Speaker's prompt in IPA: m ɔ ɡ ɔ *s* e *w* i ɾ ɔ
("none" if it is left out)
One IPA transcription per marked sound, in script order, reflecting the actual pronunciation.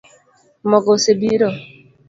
s, b

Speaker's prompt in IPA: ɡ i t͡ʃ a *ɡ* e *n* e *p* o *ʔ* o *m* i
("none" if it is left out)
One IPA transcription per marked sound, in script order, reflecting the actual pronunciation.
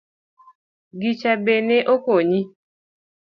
b, n, ʔ, k, ɲ

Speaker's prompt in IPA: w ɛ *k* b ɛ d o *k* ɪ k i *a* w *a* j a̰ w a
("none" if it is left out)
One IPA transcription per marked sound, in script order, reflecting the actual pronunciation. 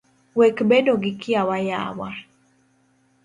k, ɡ, a, a

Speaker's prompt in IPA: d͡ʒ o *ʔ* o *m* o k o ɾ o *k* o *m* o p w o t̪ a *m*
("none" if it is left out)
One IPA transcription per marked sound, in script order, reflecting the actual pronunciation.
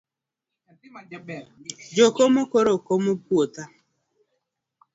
k, m, k, m, none

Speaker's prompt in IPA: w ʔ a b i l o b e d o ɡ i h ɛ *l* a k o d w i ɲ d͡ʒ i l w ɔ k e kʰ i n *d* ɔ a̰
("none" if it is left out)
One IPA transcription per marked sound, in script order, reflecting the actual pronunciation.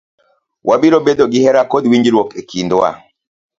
ɾ, d

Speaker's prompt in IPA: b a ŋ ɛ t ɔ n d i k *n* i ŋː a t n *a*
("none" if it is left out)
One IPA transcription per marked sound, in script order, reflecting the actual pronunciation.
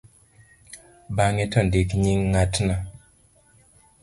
ɲ, a

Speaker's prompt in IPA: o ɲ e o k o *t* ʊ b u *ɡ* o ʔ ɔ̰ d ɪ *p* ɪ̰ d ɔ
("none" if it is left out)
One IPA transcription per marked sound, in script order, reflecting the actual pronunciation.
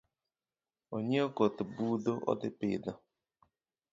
t, d, p

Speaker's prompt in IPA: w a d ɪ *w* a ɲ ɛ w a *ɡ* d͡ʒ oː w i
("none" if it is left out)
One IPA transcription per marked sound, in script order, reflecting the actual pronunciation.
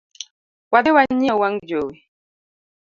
w, ŋ

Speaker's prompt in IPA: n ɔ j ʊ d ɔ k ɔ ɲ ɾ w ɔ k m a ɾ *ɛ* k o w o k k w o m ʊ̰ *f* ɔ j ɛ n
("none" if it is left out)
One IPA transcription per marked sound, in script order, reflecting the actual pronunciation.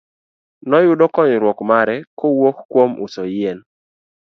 ɛ, s

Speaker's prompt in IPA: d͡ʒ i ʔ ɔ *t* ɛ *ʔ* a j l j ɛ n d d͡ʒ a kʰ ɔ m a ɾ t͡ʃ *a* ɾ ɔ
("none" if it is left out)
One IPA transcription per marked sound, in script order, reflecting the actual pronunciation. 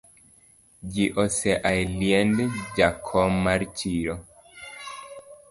s, ʔ, i

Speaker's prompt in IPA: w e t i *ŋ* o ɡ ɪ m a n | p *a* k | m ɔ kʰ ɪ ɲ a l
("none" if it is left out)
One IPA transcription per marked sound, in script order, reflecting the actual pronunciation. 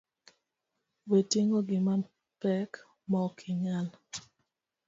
ŋ, ɛ

